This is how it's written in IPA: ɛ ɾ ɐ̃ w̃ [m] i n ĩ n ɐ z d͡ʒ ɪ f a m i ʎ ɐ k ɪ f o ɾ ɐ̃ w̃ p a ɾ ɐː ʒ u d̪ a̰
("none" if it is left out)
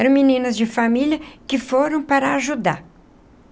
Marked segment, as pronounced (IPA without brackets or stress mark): m